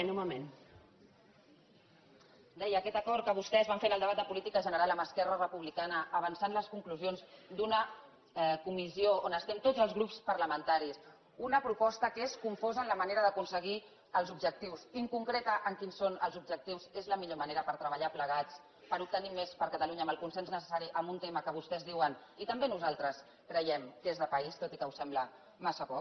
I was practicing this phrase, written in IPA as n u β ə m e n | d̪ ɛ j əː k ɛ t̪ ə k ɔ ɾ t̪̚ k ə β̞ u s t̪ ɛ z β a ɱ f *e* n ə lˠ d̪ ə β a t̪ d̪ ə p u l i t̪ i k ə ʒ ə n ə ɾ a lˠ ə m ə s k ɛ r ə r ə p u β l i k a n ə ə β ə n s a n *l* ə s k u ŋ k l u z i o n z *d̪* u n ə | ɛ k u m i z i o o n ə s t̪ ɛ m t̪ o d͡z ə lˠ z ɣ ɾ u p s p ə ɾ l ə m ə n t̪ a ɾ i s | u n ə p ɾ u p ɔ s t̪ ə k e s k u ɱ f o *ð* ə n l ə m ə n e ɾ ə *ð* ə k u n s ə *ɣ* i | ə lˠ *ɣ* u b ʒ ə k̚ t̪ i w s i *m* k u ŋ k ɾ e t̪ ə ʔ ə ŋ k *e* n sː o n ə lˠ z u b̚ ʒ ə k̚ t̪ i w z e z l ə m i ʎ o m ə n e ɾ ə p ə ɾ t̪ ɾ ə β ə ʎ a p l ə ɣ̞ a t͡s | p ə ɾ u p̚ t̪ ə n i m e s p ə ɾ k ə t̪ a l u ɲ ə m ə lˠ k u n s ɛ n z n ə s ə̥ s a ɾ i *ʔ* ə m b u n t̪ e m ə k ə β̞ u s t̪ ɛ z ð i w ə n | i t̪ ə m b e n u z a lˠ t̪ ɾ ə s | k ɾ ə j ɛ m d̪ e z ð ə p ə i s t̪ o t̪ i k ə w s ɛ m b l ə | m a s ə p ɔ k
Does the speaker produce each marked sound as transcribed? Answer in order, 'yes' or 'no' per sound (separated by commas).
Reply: yes, yes, yes, no, yes, yes, no, no, no, yes